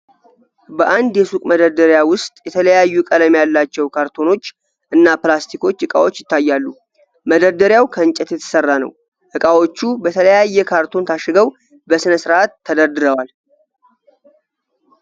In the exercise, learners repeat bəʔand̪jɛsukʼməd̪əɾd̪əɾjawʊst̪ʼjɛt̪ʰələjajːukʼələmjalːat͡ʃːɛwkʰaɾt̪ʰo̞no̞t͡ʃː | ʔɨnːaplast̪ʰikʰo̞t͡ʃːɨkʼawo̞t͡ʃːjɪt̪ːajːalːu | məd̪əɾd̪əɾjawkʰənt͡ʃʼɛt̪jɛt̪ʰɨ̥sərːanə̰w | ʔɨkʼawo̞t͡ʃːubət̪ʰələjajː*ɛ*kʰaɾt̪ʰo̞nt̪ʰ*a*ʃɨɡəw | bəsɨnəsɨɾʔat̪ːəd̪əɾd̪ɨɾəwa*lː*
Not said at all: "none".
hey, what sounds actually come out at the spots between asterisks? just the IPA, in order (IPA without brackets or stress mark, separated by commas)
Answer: ɛ, a, l